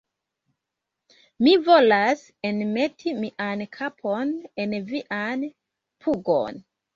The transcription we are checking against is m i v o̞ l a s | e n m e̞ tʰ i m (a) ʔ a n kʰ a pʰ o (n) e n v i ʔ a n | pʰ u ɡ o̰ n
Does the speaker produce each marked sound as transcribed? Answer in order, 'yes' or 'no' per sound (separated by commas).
no, yes